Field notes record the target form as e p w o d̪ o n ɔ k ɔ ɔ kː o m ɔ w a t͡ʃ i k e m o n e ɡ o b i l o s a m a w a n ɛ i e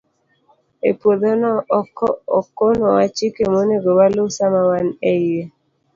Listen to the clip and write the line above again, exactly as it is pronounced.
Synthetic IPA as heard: e p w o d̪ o n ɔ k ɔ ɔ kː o n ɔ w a t͡ʃ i k e m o n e ɡ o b a l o s a m a w a n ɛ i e